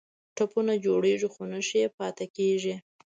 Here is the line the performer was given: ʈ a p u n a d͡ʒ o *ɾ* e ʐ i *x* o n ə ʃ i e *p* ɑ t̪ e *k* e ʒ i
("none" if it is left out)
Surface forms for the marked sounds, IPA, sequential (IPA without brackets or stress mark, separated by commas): ɽ, x, p, k